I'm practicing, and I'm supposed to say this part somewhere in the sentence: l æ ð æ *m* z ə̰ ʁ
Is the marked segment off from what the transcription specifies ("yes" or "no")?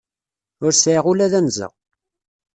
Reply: yes